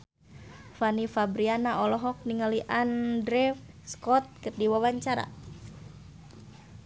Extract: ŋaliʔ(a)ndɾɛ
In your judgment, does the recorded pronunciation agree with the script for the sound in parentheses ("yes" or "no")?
yes